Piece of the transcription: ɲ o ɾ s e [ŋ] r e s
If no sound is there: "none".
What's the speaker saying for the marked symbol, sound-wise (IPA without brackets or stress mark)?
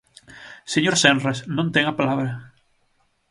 n